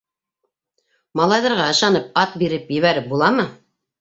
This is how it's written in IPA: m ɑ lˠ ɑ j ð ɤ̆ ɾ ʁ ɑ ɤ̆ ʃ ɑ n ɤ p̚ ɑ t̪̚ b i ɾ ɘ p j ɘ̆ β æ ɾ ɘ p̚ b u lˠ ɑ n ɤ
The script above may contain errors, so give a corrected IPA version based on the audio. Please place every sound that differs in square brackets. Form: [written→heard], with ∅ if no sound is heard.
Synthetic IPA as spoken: m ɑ lˠ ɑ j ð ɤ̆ ɾ ʁ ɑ ɤ̆ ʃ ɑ n ɤ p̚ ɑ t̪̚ b i ɾ ɘ p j ɘ̆ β æ ɾ ɘ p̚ b u lˠ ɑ [n→m] ɤ